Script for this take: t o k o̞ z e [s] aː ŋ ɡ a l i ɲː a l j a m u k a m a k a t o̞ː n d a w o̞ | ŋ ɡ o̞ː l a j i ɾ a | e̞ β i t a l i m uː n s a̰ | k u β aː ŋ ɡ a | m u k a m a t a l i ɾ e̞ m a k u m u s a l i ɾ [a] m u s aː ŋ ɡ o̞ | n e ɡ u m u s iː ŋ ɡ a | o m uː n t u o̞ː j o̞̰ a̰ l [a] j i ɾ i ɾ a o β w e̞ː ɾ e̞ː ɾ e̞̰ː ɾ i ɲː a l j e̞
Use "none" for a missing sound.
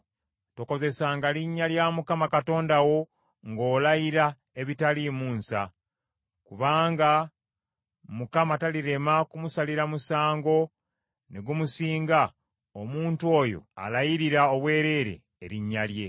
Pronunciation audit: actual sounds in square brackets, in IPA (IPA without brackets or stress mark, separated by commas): s, a, a